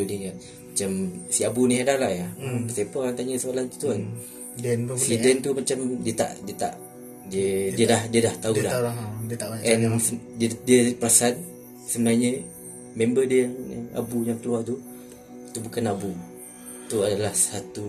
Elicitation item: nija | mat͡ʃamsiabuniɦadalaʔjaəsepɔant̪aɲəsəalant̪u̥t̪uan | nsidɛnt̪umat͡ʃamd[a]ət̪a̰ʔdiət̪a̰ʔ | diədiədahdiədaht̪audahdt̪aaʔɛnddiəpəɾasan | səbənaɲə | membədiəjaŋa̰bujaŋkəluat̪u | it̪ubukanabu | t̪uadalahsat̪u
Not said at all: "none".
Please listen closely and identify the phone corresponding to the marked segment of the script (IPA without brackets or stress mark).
i